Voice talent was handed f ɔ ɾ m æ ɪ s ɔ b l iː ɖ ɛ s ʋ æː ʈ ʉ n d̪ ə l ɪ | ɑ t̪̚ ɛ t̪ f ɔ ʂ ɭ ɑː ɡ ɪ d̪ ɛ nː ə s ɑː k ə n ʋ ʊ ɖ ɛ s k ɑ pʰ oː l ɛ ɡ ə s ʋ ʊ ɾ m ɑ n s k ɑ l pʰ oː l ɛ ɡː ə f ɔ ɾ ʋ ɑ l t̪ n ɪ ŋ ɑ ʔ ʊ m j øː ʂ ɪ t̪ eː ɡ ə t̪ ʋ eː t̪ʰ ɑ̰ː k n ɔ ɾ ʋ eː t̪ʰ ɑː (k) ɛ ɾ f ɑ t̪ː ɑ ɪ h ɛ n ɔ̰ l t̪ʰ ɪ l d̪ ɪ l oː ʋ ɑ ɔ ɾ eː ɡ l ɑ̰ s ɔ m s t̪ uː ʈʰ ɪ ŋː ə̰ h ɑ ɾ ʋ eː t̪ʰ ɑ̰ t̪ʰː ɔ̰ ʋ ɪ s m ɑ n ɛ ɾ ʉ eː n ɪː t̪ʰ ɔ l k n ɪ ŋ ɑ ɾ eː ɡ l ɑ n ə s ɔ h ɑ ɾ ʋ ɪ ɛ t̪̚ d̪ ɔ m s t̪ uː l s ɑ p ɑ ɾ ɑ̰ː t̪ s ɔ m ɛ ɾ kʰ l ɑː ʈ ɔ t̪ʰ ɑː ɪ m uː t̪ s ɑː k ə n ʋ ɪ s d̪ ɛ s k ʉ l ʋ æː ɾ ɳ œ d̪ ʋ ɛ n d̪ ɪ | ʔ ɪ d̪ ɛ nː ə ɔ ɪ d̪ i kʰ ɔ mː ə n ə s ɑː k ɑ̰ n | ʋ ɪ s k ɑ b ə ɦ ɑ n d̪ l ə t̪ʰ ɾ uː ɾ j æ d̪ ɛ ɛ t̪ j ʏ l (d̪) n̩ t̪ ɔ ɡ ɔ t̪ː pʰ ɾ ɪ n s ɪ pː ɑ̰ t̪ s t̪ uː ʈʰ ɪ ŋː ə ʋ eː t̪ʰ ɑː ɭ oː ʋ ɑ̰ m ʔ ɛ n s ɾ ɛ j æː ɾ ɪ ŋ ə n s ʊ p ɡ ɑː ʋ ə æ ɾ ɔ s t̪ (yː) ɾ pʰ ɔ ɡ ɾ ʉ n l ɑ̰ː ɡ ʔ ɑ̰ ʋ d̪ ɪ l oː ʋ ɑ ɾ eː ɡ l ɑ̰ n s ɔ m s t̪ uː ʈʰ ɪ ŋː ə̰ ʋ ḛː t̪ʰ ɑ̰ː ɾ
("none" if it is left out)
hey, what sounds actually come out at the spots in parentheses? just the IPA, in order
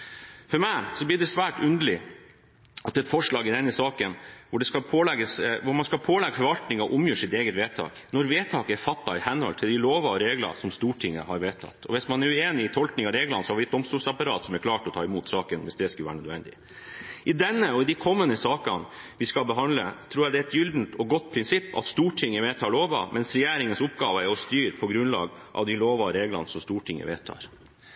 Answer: k, d̪, yː

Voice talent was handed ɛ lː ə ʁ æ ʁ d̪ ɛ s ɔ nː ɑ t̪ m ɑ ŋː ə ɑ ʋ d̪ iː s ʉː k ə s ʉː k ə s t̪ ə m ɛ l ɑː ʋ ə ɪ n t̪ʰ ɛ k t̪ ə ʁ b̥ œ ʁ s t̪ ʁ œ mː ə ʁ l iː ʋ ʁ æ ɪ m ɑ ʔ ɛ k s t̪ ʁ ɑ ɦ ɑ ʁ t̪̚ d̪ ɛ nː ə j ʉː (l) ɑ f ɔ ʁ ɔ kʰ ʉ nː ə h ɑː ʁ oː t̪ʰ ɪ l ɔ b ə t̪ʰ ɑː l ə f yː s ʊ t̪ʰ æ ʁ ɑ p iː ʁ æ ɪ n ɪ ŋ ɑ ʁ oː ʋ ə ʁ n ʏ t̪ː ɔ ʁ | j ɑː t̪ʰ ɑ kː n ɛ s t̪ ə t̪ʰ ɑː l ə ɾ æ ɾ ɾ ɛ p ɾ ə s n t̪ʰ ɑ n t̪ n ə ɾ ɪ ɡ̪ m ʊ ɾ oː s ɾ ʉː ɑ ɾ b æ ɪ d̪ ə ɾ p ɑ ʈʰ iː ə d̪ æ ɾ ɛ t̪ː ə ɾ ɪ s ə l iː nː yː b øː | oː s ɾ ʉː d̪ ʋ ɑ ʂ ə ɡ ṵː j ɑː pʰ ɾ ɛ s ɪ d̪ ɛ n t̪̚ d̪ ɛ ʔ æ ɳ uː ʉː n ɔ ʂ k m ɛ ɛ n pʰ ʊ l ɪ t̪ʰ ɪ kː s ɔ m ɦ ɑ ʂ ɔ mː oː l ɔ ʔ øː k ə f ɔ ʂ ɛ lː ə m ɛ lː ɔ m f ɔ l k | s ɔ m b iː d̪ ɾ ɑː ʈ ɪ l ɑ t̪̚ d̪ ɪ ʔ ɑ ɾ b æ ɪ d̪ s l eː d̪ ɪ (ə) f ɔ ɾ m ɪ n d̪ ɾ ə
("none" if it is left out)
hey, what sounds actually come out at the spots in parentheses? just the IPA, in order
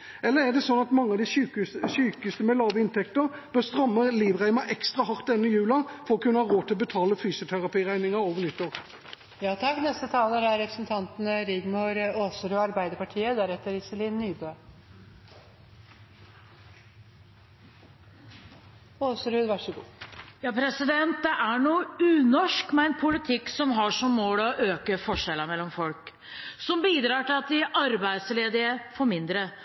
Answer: l, ə

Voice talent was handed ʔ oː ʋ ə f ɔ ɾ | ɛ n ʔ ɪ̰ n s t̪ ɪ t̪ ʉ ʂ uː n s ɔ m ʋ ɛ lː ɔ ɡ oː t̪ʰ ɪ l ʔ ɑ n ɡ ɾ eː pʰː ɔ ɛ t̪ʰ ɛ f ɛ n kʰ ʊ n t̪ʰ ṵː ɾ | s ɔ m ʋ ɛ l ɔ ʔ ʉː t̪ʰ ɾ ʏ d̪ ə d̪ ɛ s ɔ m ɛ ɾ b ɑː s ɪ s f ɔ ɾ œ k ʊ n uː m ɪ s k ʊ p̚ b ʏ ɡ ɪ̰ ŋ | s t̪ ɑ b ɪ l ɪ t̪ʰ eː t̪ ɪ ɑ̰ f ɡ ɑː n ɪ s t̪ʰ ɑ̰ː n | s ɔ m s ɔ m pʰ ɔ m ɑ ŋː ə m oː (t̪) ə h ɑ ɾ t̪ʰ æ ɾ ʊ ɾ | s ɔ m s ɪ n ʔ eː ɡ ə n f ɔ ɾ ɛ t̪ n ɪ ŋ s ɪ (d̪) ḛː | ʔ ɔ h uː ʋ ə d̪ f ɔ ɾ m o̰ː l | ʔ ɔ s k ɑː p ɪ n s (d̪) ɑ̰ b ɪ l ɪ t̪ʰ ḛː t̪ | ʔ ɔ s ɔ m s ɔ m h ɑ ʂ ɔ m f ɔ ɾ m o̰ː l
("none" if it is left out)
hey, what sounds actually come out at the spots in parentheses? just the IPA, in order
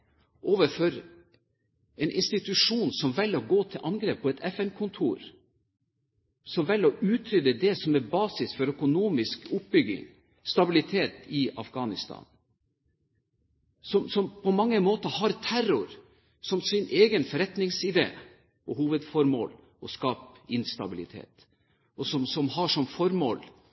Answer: t̪, d̪, t̪

